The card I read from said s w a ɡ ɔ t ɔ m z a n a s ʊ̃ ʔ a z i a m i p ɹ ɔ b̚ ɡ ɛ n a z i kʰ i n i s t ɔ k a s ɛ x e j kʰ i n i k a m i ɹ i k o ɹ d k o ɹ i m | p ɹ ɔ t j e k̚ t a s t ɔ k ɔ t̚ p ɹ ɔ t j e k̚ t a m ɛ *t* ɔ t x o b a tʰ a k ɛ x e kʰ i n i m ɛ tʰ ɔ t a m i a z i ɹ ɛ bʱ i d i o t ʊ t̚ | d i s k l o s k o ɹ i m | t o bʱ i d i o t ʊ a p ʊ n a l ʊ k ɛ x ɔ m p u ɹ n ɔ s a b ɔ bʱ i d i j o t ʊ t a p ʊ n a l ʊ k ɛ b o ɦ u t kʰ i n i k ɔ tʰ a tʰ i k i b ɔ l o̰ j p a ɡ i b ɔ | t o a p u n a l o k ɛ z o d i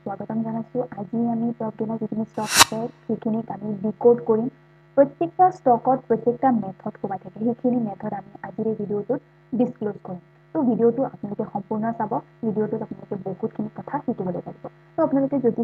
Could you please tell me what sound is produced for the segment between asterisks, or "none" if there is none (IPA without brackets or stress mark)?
tʰ